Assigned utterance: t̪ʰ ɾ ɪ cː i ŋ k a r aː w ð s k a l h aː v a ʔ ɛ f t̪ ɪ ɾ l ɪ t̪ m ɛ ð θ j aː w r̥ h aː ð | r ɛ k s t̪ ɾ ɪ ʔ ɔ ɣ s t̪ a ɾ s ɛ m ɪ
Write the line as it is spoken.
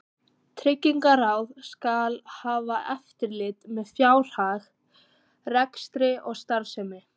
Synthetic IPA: t̪ʰ ɾ ɪ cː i ŋ k a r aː w ð s k a l h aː v a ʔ ɛ f t̪ ɪ ɾ l ɪ t̪ m ɛ ð f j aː w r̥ h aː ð | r ɛ k s t̪ ɾ ɪ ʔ ɔ ɣ s t̪ a ɾ s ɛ m ɪ